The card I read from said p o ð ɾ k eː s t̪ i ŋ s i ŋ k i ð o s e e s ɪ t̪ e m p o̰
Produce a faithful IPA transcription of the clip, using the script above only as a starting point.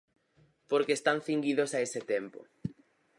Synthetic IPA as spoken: p o ɾ k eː s t̪ a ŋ θ i ŋ ɡ i ð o s a e s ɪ t̪ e m p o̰